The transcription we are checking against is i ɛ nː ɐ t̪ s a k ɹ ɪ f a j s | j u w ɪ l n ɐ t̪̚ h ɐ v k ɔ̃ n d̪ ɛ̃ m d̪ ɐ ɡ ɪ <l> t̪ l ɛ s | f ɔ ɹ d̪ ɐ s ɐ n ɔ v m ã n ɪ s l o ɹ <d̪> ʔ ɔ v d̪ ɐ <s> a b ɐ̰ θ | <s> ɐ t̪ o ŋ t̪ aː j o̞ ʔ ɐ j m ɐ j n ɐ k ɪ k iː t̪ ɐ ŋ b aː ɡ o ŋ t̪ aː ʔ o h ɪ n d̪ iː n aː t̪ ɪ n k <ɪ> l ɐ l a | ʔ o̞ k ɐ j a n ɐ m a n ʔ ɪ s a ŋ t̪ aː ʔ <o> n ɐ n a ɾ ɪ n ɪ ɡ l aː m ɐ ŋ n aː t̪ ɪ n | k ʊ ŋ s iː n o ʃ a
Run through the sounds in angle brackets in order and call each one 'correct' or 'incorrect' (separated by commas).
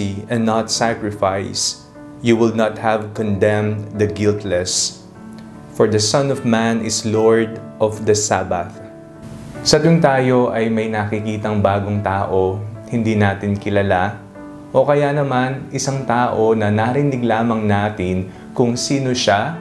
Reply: correct, correct, correct, correct, correct, correct